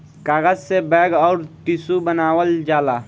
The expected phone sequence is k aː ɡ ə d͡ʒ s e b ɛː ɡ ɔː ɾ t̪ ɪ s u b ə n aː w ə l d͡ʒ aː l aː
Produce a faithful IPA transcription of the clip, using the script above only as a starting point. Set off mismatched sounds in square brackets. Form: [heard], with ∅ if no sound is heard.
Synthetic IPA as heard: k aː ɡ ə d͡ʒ s e b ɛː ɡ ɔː ɾ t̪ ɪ s u b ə n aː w ə l d͡ʒ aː l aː